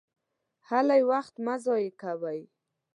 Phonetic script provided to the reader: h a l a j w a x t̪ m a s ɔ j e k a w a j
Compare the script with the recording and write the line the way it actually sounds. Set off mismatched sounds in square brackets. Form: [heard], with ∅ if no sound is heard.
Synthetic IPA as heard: h a l a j w a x t̪ m a [z] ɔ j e k a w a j